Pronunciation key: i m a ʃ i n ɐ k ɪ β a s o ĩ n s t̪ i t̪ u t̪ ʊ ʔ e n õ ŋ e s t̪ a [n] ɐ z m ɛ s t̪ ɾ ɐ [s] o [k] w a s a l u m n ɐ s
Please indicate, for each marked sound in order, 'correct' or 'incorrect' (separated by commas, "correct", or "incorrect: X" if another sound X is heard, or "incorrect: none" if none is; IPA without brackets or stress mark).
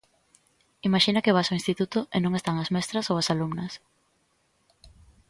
incorrect: ŋ, correct, incorrect: none